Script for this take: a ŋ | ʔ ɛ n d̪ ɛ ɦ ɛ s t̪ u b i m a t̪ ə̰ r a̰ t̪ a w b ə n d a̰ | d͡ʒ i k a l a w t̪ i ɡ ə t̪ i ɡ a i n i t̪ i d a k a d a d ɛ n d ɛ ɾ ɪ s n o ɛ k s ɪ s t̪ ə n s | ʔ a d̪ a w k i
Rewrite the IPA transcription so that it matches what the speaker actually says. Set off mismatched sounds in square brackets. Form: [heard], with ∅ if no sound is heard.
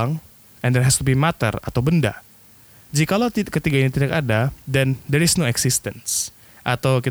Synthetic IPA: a ŋ | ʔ ɛ n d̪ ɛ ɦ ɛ s t̪ u b i m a t̪ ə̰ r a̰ t̪ a w b ə n d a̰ | d͡ʒ i k a l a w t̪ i [k] ə t̪ i ɡ a i n i t̪ i d a k a d a d ɛ n d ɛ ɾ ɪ s n o ɛ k s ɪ s t̪ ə n s | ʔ a [t̪] a w k i